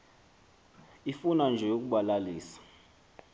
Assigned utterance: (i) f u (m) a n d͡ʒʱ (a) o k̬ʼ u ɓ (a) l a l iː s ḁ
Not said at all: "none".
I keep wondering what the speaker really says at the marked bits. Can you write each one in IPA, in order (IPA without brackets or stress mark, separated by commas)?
i, n, ɛ, a